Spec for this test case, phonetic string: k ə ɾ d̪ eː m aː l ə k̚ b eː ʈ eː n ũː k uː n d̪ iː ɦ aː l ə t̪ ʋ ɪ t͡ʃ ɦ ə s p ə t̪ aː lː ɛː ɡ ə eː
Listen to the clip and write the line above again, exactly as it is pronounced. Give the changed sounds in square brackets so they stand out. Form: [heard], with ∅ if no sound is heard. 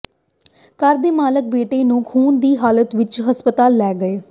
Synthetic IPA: k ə ɾ d̪ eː m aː l ə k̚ b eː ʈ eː n ũː [kʰ] uː n d̪ iː ɦ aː l ə t̪ ʋ ɪ t͡ʃ ɦ ə s p ə t̪ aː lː ɛː ɡ ə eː